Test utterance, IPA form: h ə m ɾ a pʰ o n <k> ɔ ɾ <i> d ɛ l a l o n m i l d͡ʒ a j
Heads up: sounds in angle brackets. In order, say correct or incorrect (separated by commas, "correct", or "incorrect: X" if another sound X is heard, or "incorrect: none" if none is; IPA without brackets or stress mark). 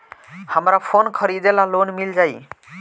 incorrect: kʰ, correct